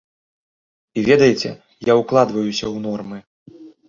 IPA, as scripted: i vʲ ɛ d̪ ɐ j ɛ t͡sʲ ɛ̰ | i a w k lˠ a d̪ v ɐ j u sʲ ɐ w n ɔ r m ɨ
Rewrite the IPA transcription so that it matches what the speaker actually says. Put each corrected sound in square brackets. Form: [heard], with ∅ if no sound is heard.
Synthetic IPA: i vʲ ɛ d̪ ɐ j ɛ t͡sʲ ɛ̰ | [j] a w k lˠ a d̪ v ɐ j u sʲ ɐ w n ɔ r m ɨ